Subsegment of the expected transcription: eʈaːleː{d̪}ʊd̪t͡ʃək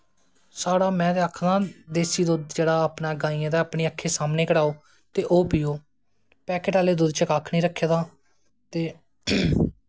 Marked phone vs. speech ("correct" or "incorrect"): correct